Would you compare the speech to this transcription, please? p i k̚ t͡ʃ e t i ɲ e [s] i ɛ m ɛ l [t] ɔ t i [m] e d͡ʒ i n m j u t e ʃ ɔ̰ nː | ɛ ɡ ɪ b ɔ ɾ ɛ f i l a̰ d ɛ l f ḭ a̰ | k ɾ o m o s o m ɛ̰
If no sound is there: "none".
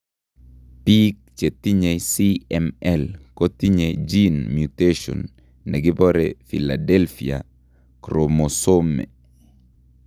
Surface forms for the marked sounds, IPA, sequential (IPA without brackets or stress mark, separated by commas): s, k, ɲ